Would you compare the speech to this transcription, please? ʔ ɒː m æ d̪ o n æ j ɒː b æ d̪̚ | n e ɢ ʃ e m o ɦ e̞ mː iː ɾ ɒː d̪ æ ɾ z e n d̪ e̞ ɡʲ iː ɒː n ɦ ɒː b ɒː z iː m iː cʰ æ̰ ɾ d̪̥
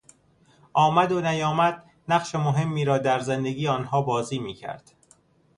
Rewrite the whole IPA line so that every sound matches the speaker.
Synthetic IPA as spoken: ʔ ɒː m æ d̪ o n æ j ɒː m æ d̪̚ | n æ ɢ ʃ e m o ɦ e̞ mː iː ɾ ɒː d̪ æ ɾ z e n d̪ e̞ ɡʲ iː ɒː n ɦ ɒː b ɒː z iː m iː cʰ æ̰ ɾ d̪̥